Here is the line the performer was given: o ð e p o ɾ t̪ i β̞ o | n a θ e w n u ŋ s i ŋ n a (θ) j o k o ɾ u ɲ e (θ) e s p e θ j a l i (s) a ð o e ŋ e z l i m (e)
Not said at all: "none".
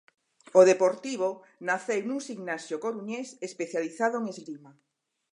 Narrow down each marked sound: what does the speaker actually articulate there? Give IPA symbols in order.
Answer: s, s, θ, a

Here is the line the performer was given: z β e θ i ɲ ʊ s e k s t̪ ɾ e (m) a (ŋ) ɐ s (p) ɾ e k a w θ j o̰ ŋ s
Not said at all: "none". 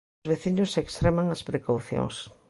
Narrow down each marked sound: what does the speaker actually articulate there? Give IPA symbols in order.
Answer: m, ŋ, p

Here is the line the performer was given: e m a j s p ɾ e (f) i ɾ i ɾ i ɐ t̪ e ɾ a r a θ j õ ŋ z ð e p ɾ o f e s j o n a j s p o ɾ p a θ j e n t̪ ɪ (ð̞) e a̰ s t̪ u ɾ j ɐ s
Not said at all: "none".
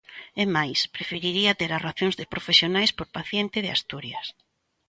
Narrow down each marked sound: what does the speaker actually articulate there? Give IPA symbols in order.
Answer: f, ð̞

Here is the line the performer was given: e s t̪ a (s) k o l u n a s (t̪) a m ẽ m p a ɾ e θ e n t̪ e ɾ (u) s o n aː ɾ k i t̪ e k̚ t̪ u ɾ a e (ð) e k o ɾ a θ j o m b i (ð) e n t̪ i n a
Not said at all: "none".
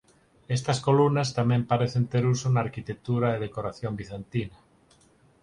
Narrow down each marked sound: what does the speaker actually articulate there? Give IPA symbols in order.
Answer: s, t̪, u, ð, θ

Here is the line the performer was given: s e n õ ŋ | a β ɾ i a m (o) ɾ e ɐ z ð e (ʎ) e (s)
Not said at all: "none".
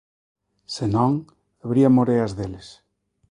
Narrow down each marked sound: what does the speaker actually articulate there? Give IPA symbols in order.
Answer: o, l, s

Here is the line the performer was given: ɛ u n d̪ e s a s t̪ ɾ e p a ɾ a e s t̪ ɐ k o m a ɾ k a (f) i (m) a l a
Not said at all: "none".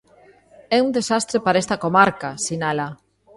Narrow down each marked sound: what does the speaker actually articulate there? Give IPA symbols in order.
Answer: s, n

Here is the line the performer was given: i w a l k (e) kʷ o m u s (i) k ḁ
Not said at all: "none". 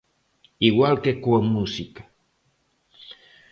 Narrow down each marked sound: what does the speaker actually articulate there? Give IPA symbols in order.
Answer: e, i

